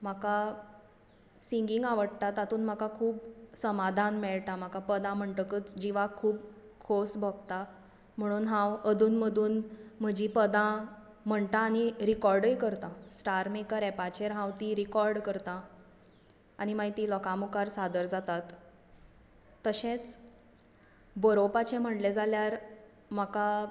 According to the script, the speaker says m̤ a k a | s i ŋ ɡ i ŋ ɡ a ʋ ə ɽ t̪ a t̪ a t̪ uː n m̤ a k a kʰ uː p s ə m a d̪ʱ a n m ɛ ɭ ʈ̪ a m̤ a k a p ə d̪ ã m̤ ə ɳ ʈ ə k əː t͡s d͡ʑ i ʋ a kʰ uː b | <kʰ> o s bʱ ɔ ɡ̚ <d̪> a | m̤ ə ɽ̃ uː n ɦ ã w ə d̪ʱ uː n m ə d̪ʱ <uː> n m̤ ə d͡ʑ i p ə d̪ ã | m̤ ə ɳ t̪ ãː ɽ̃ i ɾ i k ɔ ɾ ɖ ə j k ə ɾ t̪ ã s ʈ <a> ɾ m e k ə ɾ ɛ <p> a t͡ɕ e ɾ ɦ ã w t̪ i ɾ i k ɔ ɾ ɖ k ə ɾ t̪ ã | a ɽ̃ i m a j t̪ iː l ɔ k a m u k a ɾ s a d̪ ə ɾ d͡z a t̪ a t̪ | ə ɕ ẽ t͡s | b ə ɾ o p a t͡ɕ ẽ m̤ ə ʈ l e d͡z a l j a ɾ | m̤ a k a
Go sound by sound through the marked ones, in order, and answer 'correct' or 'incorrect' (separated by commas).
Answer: correct, incorrect, correct, correct, correct